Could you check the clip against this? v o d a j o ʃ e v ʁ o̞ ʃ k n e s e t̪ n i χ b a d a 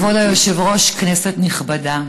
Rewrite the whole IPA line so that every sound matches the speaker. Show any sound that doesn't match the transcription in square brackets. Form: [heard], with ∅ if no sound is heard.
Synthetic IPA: v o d a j o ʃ e v ʁ o̞ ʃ k n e s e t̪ n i χ b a d a